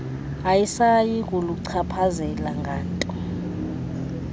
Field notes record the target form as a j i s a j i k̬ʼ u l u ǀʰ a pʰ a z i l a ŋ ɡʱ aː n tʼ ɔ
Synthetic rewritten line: a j i s a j i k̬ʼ u l u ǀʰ a pʰ a z ɛ l a ŋ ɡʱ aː n tʼ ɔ